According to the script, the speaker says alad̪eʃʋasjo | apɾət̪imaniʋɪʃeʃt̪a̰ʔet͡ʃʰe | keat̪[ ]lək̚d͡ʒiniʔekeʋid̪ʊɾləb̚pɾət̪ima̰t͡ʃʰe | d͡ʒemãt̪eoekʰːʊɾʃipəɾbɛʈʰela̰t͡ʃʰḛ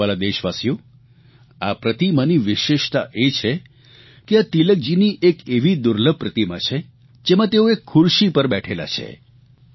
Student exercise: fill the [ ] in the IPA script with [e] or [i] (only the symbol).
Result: i